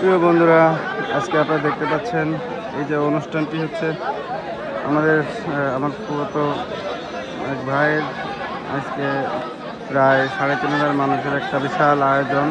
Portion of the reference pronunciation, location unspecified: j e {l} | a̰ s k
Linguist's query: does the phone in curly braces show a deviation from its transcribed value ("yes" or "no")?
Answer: yes